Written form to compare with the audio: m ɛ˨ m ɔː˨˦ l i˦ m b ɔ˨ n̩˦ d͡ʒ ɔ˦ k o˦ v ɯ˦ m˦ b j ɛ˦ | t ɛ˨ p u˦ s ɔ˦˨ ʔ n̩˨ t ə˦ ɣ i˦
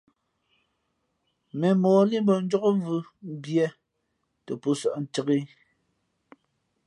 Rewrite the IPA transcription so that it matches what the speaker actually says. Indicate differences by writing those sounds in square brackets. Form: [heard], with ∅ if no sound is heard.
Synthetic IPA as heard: m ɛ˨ m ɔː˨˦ l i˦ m b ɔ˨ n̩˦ d͡ʒ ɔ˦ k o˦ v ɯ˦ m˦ b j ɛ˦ | t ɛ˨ p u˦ s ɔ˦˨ ʔ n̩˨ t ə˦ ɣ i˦

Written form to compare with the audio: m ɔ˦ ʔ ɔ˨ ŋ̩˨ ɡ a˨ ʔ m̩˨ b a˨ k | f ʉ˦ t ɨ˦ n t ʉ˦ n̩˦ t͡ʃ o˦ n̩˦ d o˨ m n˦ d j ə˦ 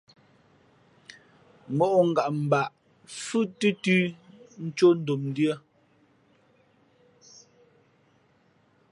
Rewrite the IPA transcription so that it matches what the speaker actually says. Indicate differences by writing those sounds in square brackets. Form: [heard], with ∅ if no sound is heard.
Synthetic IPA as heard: m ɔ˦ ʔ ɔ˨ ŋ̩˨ ɡ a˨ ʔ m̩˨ b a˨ [ʔ] | f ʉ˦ t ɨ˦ [∅] t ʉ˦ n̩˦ t͡ʃ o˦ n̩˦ d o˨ m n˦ d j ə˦

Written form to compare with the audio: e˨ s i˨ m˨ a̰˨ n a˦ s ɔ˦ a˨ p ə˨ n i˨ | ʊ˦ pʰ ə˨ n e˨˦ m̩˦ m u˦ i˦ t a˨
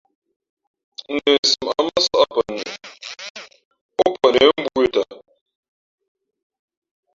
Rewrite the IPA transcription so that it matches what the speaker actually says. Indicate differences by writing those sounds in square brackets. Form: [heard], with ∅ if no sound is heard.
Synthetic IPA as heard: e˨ s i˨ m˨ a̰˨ [m] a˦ s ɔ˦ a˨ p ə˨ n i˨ | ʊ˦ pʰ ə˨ n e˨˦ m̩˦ [b] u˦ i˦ t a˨

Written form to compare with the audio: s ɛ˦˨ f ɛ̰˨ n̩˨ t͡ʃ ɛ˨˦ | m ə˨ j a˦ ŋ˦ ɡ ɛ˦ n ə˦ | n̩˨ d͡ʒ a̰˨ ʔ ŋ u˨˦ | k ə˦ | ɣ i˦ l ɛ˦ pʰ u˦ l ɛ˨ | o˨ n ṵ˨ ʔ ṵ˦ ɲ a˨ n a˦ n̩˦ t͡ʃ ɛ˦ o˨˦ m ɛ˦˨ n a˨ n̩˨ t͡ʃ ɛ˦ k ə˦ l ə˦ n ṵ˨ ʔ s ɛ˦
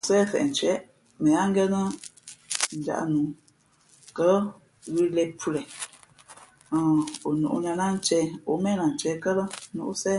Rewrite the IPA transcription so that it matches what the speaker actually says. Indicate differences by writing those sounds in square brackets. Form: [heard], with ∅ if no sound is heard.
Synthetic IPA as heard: s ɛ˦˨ f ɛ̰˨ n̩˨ t͡ʃ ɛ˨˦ | m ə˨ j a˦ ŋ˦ ɡ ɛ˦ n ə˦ | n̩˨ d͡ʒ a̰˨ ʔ [n] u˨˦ | k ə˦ | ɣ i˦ l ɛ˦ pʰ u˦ l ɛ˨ | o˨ n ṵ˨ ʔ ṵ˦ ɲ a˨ n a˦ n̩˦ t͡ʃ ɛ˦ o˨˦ m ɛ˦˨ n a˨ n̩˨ t͡ʃ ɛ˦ k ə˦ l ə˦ n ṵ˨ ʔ s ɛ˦

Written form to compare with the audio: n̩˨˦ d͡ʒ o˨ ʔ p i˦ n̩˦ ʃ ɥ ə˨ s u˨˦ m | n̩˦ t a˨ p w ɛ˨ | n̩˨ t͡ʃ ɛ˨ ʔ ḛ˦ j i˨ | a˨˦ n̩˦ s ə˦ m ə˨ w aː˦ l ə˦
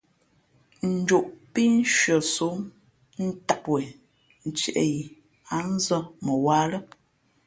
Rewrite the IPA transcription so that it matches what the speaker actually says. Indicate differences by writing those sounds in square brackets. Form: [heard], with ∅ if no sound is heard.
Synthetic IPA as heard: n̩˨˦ d͡ʒ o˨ ʔ p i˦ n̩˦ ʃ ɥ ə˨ s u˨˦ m | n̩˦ t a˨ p w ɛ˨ | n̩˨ t͡ʃ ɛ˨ ʔ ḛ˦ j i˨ | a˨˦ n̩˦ [z] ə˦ m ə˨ w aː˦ l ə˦

